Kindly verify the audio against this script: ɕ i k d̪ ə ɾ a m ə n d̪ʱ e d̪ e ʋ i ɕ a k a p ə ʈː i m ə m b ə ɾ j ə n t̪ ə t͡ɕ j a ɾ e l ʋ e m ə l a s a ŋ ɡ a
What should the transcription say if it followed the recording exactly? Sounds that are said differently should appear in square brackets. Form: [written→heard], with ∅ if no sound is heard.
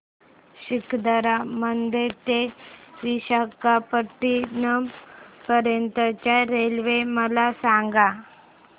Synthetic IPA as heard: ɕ i k d̪ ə ɾ a m ə n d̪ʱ e [d̪→t̪] e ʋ i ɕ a k a p ə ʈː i [m→n] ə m [b→p] ə ɾ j ə n t̪ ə t͡ɕ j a ɾ e l ʋ e m ə l a s a ŋ ɡ a

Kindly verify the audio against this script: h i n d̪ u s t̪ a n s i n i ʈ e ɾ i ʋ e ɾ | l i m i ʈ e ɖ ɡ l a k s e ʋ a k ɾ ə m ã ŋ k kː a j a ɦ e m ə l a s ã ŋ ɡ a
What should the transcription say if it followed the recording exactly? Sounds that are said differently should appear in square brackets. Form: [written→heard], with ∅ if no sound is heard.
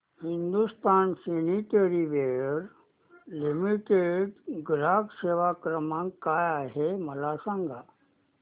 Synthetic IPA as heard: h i n d̪ u s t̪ a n s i n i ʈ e ɾ i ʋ e ɾ | l i m i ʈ e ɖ ɡ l a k s e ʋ a k ɾ ə m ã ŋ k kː a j a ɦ e m ə l a s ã ŋ ɡ a

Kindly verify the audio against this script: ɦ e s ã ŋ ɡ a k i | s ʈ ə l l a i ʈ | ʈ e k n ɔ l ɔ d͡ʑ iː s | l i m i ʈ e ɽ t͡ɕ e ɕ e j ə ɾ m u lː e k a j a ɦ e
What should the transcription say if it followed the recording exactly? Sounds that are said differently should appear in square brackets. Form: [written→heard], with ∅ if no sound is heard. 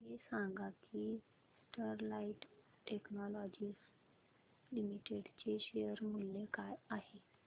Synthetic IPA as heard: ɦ e s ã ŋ ɡ a k i | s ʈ ə [l→ɾ] l a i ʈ | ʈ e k n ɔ l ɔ d͡ʑ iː s | l i m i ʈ e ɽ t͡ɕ e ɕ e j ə ɾ m u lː e k a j a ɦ e

